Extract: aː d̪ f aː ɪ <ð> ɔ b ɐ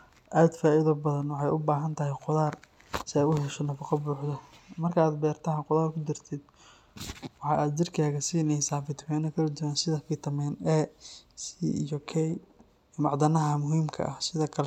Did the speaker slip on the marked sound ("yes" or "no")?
no